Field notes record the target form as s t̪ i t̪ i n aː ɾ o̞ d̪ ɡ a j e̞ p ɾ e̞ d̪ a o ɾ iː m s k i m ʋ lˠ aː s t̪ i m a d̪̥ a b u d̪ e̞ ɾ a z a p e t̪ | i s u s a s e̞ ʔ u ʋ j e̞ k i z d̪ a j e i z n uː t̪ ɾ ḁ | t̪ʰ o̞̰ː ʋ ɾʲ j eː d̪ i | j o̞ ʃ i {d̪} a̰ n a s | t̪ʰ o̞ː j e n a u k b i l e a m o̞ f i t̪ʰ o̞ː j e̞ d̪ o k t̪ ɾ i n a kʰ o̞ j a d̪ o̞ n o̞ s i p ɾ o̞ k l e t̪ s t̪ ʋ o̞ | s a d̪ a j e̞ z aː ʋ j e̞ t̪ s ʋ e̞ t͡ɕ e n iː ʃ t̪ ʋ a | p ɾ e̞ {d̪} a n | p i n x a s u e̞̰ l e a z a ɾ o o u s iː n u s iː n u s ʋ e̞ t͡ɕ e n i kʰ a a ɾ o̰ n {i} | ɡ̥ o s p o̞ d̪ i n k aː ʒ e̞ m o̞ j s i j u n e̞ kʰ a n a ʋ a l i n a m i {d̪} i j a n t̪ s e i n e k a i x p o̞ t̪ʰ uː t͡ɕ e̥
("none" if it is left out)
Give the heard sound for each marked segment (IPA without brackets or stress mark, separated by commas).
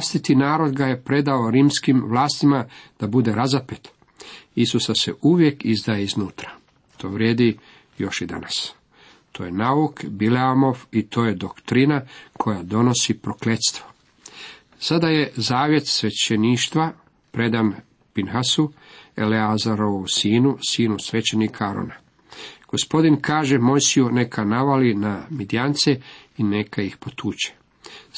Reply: d̪, d̪, a, d̪